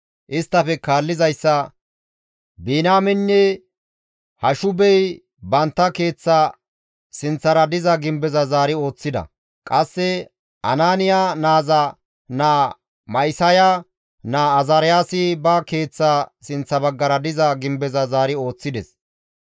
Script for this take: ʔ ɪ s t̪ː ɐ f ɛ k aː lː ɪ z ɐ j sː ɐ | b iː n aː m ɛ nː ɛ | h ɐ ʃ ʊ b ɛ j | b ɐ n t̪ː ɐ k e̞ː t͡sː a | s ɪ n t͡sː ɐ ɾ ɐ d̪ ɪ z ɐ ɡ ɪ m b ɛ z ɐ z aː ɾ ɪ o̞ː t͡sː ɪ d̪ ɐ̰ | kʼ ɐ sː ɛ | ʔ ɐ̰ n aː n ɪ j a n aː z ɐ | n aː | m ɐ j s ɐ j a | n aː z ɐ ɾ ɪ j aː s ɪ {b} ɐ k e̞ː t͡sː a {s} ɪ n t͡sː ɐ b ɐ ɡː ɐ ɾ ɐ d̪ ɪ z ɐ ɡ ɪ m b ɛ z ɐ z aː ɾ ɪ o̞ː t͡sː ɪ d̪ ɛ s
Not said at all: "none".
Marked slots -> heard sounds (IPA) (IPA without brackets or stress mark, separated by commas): b, s